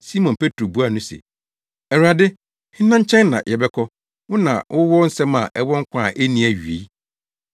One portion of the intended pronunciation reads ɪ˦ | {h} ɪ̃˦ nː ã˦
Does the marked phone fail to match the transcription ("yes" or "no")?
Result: no